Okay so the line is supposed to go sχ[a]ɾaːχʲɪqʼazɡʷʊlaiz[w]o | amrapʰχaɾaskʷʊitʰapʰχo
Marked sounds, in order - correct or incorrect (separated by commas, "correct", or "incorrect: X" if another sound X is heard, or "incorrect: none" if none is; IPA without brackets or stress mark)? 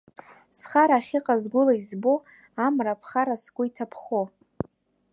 correct, incorrect: b